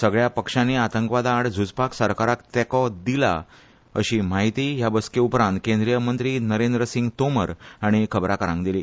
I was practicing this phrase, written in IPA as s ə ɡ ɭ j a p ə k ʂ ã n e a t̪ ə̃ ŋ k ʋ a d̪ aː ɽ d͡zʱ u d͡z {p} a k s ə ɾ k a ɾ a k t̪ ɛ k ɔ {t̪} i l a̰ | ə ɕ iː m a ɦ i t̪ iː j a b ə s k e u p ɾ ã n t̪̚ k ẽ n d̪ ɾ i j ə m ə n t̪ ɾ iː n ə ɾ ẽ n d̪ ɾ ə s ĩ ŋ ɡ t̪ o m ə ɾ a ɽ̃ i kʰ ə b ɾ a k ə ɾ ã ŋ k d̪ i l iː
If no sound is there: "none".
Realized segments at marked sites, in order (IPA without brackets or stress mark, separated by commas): p, d̪